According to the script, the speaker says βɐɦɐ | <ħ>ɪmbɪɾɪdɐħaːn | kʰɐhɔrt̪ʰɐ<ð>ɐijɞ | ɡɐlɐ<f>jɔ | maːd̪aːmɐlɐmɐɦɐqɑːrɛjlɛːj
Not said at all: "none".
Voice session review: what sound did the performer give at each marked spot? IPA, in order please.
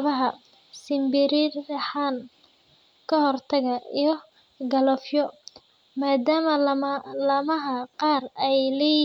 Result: s, ɣ, f

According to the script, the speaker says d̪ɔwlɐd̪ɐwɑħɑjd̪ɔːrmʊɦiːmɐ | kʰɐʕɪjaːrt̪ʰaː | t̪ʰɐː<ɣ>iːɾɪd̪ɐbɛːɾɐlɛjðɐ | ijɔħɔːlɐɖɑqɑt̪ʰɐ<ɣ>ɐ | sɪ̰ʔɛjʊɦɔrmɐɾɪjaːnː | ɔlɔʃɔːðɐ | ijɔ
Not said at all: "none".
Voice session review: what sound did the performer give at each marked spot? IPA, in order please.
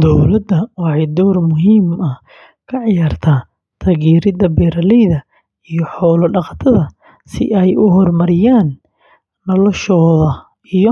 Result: ɣ, ð

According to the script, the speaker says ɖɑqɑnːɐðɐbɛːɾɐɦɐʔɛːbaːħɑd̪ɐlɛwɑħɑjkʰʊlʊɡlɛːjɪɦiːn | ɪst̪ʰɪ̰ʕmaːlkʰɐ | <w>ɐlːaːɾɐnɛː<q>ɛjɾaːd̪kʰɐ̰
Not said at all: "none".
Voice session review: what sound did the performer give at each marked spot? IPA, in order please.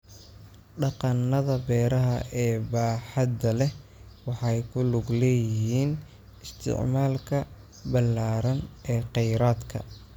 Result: b, q

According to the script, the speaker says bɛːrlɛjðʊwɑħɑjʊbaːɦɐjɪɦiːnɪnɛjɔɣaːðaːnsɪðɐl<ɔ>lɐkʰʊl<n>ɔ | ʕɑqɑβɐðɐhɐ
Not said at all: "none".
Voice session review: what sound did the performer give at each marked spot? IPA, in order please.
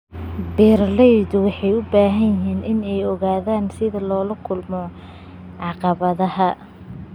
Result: ɔː, m

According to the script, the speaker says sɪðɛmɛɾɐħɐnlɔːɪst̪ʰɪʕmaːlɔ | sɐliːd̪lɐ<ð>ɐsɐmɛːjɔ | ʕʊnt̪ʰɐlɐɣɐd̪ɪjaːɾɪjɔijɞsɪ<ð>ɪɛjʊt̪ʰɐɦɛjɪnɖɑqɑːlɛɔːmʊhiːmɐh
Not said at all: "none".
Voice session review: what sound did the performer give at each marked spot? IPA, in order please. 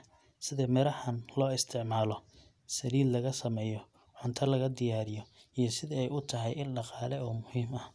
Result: ɣ, ð

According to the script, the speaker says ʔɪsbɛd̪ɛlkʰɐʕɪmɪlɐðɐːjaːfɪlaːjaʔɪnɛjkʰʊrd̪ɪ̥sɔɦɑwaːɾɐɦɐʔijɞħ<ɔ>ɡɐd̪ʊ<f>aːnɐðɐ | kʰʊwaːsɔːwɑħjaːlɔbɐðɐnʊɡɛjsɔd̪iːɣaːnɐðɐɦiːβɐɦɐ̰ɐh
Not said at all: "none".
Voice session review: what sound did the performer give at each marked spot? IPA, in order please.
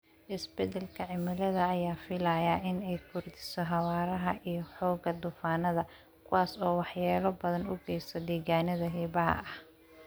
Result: ɔː, f

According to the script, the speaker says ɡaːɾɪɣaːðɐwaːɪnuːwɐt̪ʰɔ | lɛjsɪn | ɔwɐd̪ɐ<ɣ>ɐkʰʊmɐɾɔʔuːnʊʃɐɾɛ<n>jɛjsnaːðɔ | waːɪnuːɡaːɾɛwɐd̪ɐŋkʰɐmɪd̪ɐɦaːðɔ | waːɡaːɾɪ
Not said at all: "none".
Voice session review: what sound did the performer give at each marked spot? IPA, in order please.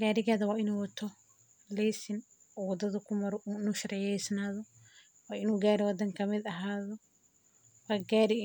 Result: ð, none

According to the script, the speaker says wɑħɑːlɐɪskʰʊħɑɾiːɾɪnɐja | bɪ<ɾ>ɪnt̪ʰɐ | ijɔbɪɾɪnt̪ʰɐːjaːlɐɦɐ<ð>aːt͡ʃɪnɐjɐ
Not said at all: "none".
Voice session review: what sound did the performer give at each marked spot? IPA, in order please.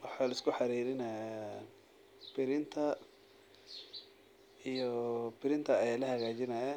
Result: ɾ, ɣ

